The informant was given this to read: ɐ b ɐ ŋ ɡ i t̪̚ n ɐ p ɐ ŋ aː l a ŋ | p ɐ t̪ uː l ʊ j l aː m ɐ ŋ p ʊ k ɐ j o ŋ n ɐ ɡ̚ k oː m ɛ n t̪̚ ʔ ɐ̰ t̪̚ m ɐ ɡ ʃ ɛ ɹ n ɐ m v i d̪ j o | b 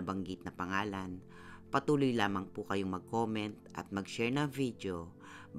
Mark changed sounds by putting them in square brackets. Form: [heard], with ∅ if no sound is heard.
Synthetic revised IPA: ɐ b ɐ ŋ ɡ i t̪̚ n ɐ p ɐ ŋ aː l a [n] | p ɐ t̪ uː l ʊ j l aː m ɐ ŋ p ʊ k ɐ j o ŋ [m] ɐ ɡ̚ k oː m ɛ n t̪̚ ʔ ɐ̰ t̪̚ m ɐ ɡ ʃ ɛ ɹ n ɐ [ŋ] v i d̪ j o | b